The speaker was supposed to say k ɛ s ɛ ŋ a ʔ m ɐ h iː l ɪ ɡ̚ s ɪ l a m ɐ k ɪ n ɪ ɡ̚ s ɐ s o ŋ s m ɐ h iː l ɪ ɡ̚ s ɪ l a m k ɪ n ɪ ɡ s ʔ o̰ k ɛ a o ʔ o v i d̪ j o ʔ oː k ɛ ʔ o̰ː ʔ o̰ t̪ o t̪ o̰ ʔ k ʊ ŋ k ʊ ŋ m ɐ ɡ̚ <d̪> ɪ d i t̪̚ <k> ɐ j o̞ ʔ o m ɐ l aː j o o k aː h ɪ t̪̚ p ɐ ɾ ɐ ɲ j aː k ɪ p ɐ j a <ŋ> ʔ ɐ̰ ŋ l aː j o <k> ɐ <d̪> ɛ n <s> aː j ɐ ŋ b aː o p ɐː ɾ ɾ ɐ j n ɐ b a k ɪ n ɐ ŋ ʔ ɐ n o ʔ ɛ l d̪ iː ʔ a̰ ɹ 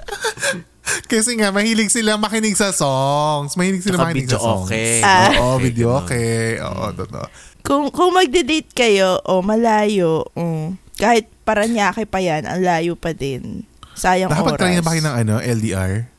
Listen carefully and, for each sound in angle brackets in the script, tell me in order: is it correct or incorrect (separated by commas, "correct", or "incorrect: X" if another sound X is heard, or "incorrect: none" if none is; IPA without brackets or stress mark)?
correct, correct, incorrect: n, incorrect: p, correct, correct